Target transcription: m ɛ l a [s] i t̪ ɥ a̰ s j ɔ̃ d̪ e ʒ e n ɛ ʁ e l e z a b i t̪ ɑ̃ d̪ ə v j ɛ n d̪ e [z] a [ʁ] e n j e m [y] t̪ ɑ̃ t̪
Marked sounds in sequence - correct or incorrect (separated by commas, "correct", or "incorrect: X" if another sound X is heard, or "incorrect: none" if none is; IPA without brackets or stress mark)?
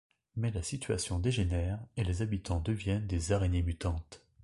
correct, correct, correct, correct